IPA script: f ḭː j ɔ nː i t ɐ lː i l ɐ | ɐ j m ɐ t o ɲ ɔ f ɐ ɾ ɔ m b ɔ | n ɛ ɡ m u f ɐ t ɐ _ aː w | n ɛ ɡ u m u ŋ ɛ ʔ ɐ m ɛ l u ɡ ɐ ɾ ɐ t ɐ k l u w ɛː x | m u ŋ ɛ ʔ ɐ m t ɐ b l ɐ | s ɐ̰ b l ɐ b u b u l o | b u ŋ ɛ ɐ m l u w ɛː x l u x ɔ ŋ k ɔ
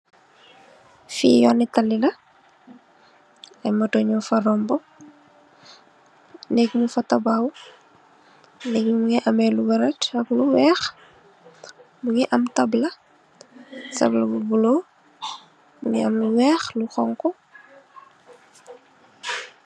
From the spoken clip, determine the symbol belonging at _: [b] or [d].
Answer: b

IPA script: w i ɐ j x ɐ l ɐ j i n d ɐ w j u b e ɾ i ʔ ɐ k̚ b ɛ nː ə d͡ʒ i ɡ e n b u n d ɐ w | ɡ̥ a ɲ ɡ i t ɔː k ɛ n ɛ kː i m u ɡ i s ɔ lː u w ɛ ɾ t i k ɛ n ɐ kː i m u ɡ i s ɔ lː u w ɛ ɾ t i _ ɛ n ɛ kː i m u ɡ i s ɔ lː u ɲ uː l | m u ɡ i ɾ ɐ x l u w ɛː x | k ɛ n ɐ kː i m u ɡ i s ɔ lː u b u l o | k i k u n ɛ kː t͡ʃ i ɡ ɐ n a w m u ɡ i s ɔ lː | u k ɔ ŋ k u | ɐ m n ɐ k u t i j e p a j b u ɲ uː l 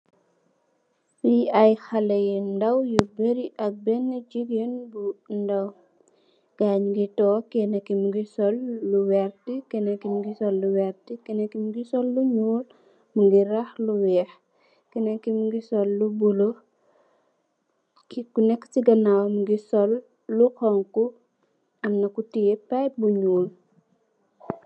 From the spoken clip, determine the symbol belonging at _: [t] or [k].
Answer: k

